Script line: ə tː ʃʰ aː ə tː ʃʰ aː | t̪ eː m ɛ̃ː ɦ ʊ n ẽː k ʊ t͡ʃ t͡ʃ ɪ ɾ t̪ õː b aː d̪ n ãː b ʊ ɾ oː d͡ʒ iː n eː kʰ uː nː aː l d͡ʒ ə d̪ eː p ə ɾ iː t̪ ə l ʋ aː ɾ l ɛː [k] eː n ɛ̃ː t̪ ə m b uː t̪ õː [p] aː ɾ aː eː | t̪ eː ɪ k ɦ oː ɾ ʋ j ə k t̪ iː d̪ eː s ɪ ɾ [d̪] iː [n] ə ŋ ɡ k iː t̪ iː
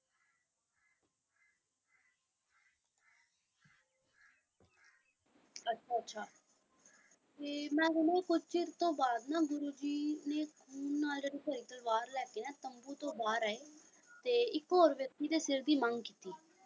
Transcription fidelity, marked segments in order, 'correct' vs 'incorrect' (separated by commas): correct, incorrect, correct, incorrect